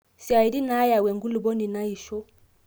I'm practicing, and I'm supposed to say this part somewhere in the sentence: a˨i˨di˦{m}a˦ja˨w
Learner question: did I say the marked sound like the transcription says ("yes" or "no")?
no